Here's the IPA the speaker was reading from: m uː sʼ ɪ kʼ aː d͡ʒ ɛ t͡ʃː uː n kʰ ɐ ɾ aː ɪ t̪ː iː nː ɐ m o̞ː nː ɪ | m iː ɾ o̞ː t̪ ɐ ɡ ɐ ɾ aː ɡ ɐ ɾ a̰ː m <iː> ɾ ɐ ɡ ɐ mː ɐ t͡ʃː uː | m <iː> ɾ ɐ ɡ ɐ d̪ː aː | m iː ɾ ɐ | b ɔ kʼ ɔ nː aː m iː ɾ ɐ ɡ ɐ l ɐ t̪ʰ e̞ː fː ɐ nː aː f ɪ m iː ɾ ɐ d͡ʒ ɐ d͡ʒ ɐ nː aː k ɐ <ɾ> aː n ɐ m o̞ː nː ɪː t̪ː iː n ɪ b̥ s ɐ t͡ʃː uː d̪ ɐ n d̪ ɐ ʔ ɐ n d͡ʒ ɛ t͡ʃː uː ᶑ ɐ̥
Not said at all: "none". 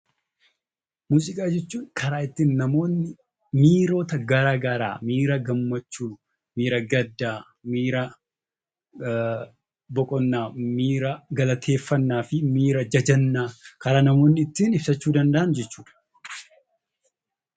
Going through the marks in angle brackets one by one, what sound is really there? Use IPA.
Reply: iː, iː, ɾ

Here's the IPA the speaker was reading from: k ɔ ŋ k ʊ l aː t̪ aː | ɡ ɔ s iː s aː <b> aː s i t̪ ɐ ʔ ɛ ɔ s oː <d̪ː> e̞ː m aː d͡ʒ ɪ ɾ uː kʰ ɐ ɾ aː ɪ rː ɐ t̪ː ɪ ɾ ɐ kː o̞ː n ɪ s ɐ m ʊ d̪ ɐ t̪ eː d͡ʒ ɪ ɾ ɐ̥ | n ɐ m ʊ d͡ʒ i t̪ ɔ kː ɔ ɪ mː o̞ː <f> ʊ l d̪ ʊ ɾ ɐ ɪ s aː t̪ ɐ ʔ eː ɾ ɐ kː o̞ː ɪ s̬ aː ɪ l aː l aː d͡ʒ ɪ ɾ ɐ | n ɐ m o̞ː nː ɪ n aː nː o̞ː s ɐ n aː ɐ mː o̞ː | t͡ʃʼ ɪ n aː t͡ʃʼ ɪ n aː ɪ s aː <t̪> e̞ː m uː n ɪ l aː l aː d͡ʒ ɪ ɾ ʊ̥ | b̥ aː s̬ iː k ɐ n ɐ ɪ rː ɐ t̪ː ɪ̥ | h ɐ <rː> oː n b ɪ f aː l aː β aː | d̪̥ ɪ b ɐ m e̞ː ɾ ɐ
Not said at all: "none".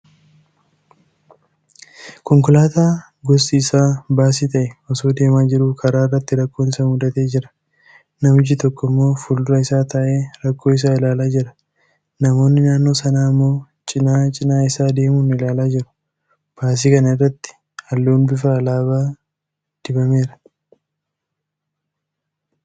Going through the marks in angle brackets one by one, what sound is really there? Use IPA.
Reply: b, d̪, f, d̪, lː

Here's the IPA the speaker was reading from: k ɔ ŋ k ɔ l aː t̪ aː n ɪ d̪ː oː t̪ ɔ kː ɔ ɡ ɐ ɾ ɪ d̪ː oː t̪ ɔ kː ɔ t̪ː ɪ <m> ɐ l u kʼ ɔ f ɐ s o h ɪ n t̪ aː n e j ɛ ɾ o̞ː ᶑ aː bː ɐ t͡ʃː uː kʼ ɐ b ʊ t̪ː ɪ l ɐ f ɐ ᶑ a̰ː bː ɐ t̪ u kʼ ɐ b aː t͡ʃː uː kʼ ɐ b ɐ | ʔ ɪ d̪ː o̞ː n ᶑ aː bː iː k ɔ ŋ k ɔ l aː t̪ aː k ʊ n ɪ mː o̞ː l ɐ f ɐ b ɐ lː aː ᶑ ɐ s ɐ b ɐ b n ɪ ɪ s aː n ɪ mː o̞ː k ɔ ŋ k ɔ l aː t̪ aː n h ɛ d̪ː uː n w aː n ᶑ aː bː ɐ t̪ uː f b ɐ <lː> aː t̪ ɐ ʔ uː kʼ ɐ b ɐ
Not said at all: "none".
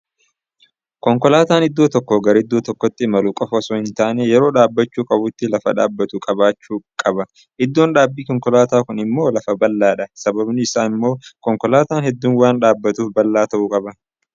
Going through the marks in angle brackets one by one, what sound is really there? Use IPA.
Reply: m, lː

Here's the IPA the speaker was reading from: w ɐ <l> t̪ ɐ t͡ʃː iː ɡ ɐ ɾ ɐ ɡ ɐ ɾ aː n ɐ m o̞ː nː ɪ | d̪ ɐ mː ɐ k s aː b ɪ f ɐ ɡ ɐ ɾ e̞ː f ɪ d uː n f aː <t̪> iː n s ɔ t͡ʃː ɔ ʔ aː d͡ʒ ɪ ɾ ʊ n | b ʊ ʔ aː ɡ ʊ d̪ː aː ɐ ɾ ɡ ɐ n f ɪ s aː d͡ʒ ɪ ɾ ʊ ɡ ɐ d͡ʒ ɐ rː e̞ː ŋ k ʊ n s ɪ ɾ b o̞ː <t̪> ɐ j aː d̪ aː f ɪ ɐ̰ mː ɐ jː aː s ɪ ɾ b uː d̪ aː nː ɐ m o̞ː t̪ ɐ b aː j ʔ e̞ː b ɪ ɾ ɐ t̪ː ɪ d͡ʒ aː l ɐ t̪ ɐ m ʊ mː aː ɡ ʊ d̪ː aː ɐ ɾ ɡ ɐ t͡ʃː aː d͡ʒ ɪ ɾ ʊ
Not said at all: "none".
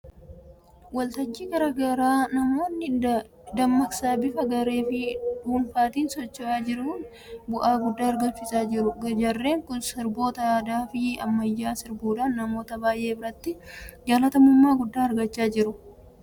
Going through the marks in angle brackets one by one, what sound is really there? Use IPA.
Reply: l, t̪, t̪

